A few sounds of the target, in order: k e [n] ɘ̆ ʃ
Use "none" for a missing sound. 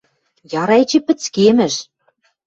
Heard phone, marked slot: m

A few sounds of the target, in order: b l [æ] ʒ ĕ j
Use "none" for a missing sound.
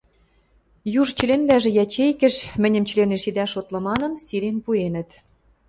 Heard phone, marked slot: æ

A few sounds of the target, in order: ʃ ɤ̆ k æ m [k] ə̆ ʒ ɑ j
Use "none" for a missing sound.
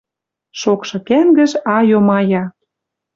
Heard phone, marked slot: ɡ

